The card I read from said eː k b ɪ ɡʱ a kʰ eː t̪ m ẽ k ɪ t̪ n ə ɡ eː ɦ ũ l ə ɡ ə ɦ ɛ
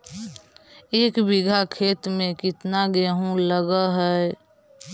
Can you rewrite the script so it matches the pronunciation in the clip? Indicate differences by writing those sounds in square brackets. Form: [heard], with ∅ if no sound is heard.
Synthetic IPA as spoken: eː k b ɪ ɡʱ a kʰ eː t̪ m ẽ k ɪ t̪ n [a] ɡ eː ɦ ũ l ə ɡ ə ɦ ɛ